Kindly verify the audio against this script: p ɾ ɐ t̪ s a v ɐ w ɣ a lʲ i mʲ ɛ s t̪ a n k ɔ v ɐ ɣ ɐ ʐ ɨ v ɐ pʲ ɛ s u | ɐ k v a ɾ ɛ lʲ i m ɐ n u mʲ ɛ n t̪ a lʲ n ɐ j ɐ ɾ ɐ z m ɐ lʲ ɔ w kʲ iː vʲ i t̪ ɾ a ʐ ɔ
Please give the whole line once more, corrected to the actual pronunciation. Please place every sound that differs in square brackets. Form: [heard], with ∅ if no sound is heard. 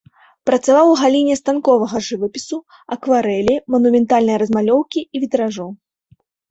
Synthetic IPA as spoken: p ɾ ɐ t̪ s a v [a] w ɣ a lʲ i [nʲ] ɛ s t̪ a n k ɔ v ɐ ɣ ɐ ʐ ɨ v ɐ pʲ [i] s u | ɐ k v a ɾ ɛ lʲ i m ɐ n u mʲ ɛ n t̪ a lʲ n ɐ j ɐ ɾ ɐ z m [a] lʲ ɔ w kʲ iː vʲ i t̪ ɾ a ʐ ɔ